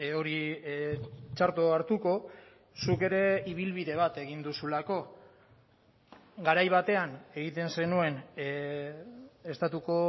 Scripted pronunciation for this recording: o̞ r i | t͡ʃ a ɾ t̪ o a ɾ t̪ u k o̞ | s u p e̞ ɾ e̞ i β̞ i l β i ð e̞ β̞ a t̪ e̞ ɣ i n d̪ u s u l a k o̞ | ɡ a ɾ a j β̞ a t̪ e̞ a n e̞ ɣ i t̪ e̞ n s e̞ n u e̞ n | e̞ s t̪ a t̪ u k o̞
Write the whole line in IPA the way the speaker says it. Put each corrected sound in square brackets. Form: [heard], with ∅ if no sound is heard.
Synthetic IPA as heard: o̞ [ɾ] i | t͡ʃ a ɾ t̪ o a ɾ t̪ u k o̞ | s u [k] e̞ ɾ e̞ i β̞ i l β i ð e̞ β̞ a t̪ e̞ ɣ i n d̪ u s u l a k o̞ | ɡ a ɾ a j β̞ a t̪ e̞ a n e̞ ɣ i t̪ e̞ n s e̞ n u e̞ n | e̞ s t̪ a t̪ u k o̞

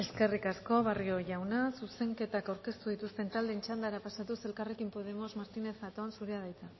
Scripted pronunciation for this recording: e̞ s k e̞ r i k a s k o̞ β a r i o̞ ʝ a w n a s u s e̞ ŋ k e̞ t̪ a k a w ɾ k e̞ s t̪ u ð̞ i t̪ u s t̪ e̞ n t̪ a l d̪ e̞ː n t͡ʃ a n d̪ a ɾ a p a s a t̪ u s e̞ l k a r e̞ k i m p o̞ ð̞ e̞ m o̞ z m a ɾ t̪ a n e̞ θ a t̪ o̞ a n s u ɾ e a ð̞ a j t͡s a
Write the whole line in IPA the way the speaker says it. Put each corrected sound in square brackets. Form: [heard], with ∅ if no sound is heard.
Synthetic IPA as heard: e̞ s k e̞ r i k a s k o̞ β a r i o̞ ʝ a w n a s u s e̞ ŋ k e̞ t̪ a k a w ɾ k e̞ s t̪ u ð̞ i t̪ u s t̪ e̞ n t̪ a l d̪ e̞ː n t͡ʃ a n d̪ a ɾ a p a s a t̪ u s e̞ l k a r e̞ k i m p o̞ ð̞ e̞ m o̞ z m a ɾ t̪ [i] n e̞ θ a t̪ o̞ a n s u ɾ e a ð̞ a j t͡s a

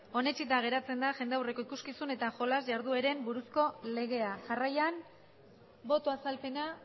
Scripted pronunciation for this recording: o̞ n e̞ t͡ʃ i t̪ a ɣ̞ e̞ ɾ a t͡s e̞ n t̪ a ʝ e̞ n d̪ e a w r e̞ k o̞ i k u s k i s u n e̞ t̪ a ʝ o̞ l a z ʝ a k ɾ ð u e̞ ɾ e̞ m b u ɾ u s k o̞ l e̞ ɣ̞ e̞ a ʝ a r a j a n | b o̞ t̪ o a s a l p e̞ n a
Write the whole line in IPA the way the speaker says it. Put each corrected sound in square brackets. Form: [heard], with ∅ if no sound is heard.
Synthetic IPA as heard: o̞ n e̞ t͡ʃ i t̪ a ɣ̞ e̞ ɾ a t͡s e̞ n [d̪] a ʝ e̞ n d̪ e a w r e̞ k o̞ i k u s k i s u n e̞ t̪ a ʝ o̞ l a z ʝ a [∅] ɾ ð u e̞ ɾ e̞ m b u ɾ u s k o̞ l e̞ ɣ̞ e̞ a ʝ a r a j a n | b o̞ t̪ o a s a l p e̞ n a

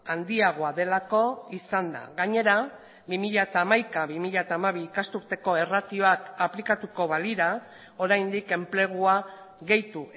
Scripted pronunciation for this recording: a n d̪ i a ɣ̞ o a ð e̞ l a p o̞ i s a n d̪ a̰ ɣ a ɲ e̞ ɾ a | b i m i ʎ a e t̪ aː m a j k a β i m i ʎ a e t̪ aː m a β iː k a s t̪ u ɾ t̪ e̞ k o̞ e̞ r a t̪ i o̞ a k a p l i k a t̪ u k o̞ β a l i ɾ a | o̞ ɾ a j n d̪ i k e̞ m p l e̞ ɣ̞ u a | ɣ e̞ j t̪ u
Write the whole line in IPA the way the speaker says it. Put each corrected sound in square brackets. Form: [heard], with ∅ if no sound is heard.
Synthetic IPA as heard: a n d̪ i a ɣ̞ o a ð e̞ l a [k] o̞ i s a n d̪ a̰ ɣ a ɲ e̞ ɾ a | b i m i ʎ a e t̪ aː m a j k a β i m i ʎ a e t̪ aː m a β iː k a s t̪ u ɾ t̪ e̞ k o̞ e̞ r a t̪ i o̞ a k a p l i k a t̪ u k o̞ β a l i ɾ a | o̞ ɾ a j n d̪ i k e̞ m p l e̞ ɣ̞ u a | ɣ e̞ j t̪ u

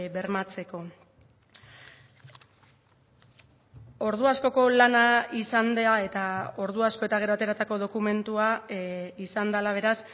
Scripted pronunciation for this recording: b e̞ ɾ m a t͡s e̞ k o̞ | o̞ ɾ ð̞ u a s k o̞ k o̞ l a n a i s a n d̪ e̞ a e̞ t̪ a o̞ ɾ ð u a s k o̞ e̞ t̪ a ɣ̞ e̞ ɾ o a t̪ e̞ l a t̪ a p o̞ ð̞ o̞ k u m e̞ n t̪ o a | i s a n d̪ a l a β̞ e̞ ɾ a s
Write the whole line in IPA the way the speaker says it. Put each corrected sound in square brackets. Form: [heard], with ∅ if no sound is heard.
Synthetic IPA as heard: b e̞ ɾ m a t͡s e̞ k o̞ | o̞ ɾ ð̞ u a s k o̞ k o̞ l a n a i s a n d̪ e̞ a e̞ t̪ a o̞ ɾ ð u a s k o̞ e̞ t̪ a ɣ̞ e̞ ɾ o a t̪ e̞ [ɾ] a t̪ a [k] o̞ ð̞ o̞ k u m e̞ n t̪ [u] a | i s a n d̪ a l a β̞ e̞ ɾ a s

